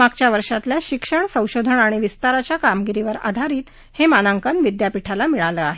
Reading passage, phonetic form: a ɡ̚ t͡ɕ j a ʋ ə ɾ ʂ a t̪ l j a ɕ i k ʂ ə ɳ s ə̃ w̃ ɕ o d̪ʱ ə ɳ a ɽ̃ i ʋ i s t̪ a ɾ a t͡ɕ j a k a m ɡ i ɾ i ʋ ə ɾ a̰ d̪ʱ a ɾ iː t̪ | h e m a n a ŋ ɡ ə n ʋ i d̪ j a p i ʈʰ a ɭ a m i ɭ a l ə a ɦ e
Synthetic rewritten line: a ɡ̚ t͡ɕ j a ʋ ə ɾ ʂ a t̪ l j a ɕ i k ʂ ə ɳ s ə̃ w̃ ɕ o d̪ʱ ə ɳ a ɽ̃ i ʋ i s t̪ a ɾ a t͡ɕ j a k a m ɡ i ɾ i ʋ ə ɾ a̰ d̪ʱ a ɾ iː t̪ | h e m a n a ŋ k ə n ʋ i d̪ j a p i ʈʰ a l a m i ɭ a l ə a ɦ e

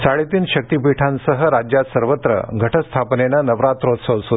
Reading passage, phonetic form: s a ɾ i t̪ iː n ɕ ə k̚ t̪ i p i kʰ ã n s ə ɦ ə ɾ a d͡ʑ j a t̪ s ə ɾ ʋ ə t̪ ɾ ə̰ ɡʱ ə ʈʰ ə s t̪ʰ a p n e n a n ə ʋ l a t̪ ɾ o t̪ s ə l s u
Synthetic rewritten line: s a ɭ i t̪ iː n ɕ ə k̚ t̪ i p i ʈʰ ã n s ə ɦ ə ɾ a d͡ʑ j a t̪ s ə ɾ ʋ ə t̪ ɾ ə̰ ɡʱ ə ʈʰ ə s t̪ʰ a p n e n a n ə ʋ ɾ a t̪ ɾ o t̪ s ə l s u

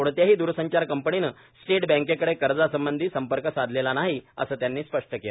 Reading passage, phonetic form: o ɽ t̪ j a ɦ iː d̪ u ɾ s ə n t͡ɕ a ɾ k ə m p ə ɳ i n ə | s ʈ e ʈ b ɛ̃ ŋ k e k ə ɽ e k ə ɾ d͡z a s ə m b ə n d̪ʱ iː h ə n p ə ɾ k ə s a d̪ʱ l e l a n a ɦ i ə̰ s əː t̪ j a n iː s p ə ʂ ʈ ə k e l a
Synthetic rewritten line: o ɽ t̪ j a ɦ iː d̪ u ɾ s ə ɲ t͡ɕ a ɾ k ə m p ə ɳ i n ə | s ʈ e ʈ b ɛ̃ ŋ k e k ə ɽ e k ə ɾ d͡z a s ə m b ə n d̪ʱ iː s ə m p ə ɾ k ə s a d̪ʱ l e l a n a ɦ i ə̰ s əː t̪ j a nː iː s p ə ʂ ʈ ə k e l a

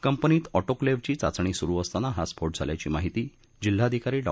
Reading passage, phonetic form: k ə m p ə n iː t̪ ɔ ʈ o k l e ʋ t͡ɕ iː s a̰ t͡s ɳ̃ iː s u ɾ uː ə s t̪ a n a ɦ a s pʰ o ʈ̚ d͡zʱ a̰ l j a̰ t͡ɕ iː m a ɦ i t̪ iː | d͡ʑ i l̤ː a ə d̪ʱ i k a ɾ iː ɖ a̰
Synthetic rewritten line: k ə m p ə n iː t̪ ɔ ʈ o k l e ʋ t͡ɕ iː t͡s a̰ t͡s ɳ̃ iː s u ɾ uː ə s t̪ a n a ɦ a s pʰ o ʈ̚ d͡zʱ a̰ l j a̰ t͡ɕ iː m a ɦ i t̪ iː | d͡ʑ i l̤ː a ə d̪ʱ i k a ɾ iː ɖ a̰

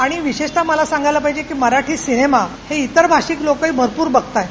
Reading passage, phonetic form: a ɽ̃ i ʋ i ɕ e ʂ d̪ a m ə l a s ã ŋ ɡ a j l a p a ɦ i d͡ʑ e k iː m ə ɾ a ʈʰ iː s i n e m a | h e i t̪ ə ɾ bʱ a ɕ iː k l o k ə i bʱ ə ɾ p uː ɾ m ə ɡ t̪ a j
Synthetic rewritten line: a ɽ̃ i ʋ i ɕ e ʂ t̪ a m ə l a s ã ŋ ɡ a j l a p a ɦ i d͡ʑ e k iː m ə ɾ a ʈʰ iː s i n e m a | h e i t̪ ə ɾ bʱ a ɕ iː k l o k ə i bʱ ə ɾ p uː ɾ b ə ɡ t̪ a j

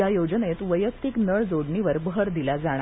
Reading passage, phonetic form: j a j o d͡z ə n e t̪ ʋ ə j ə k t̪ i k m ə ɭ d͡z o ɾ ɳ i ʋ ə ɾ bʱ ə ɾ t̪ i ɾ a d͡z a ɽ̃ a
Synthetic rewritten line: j a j o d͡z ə n e t̪ ʋ ə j ə k t̪ i k n ə ɭ d͡z o ɽ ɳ i ʋ ə ɾ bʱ ə ɾ d̪ i l a d͡z a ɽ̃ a

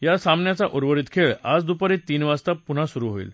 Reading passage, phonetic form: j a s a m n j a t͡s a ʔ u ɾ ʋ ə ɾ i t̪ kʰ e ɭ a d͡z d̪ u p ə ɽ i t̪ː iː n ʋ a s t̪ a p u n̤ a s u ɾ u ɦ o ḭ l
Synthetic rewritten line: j a s a m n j a t͡s a ʔ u ɾ ʋ ə ɾ i t̪ kʰ e ɭ a d͡z d̪ u p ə ɾ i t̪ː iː n ʋ a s t̪ a p u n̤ a s u ɾ u ɦ o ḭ l

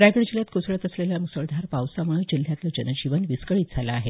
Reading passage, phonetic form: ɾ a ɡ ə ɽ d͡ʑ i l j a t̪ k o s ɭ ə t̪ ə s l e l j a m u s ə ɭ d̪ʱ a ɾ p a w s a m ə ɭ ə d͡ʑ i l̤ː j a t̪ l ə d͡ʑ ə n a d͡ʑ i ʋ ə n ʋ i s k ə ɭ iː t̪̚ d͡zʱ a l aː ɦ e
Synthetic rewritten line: ɾ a ɡ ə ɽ d͡ʑ i l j a t̪ k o s ɭ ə t̪ ə s l e l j a m u s ə ɭ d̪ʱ a ɾ p a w s a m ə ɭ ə d͡ʑ i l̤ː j a t̪ l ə d͡ʑ ə n ə d͡ʑ i ʋ ə n ʋ i s k ə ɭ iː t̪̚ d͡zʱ a l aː ɦ e

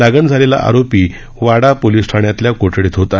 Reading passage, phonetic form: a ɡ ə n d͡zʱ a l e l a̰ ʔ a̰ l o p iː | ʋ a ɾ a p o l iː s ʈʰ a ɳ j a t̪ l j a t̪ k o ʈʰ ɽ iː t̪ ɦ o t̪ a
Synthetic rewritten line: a ɡ ə n d͡zʱ a l e l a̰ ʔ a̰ ɾ o p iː | ʋ a ɽ a p o l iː s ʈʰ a ɳ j a t̪ l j a k o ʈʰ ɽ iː t̪ ɦ o t̪ a

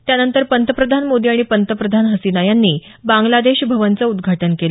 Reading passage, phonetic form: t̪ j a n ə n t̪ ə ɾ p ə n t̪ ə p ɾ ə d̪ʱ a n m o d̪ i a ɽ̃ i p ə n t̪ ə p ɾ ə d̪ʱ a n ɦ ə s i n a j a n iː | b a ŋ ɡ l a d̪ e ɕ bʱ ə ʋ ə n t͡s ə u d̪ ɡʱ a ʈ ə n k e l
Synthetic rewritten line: t̪ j a n ə n t̪ ə ɾ p ə n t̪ ə p ɾ ə d̪ʱ a n m o d̪ i a ɽ̃ i p ə n t̪ ə p ɾ ə d̪ʱ a n ɦ ə s i n a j a nː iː | b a ŋ ɡ l a d̪ e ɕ bʱ ə ʋ ə n t͡s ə u d̪ ɡʱ a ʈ ə n k e l

